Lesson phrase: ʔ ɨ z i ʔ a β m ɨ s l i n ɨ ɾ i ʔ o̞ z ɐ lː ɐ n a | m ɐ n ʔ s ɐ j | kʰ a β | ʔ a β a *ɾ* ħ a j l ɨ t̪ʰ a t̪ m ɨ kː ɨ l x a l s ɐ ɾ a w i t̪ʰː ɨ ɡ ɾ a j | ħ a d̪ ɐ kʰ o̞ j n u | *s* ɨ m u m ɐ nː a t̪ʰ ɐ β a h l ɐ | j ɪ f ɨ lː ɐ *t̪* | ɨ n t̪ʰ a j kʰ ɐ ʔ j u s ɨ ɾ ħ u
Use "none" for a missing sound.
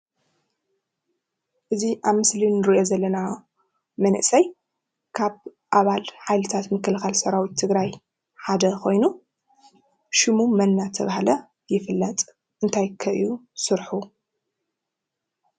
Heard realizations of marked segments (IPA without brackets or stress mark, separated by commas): l, ʃ, t̪ʼ